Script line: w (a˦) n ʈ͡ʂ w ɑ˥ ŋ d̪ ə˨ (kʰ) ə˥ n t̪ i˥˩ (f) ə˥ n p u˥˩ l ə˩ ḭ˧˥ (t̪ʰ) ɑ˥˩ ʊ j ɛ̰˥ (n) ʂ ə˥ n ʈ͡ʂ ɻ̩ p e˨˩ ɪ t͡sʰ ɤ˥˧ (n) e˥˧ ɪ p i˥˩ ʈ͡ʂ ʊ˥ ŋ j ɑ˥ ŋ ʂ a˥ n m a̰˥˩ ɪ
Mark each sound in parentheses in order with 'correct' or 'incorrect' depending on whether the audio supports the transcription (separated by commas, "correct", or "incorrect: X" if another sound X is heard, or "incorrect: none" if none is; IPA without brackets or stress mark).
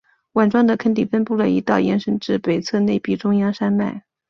incorrect: a˨˩, correct, correct, incorrect: t̪, correct, correct